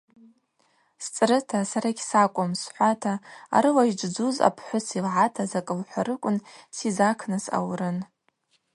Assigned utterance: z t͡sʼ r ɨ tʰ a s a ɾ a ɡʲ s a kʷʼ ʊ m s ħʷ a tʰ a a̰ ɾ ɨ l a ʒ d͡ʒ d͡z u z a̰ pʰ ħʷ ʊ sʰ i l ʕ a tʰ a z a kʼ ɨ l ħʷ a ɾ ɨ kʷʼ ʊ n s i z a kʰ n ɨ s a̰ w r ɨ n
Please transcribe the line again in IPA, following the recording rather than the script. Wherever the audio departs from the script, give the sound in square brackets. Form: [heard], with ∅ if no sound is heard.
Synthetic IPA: [s] t͡sʼ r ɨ tʰ a s a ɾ a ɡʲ s a kʷʼ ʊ m s ħʷ a tʰ a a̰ ɾ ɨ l a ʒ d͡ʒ d͡z u z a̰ pʰ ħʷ ʊ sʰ i l ʕ a tʰ a z a kʼ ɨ l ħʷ a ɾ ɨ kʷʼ ʊ n s i z a kʰ n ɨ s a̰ w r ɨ n